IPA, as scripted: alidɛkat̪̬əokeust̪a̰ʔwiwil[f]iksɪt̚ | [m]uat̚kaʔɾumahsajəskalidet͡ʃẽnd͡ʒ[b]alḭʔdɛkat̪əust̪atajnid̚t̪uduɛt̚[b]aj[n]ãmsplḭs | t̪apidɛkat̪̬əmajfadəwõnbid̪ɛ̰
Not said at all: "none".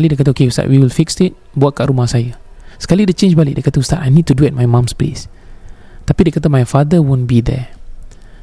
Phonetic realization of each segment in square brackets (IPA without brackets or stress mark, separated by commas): f, b, b, m, m